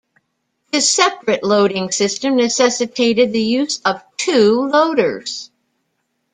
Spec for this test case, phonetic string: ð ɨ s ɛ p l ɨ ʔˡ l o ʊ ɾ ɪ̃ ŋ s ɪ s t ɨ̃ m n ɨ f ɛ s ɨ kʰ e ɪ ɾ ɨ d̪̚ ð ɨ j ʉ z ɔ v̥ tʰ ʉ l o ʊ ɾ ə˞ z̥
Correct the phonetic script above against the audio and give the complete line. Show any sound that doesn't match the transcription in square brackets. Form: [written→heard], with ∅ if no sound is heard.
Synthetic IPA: ð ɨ s ɛ p [l→ɹ] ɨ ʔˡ l o ʊ ɾ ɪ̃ ŋ s ɪ s t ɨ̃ m n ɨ [f→s] ɛ s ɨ [kʰ→tʰ] e ɪ ɾ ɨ d̪̚ ð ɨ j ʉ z [ɔ→ʌ] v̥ tʰ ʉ l o ʊ ɾ ə˞ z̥